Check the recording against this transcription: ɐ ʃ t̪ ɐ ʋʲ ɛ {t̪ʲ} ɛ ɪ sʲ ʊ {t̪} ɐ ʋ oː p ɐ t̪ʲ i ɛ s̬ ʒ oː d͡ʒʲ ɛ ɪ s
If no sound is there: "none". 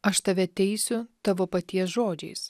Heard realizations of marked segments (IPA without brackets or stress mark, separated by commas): t̪ʲ, t̪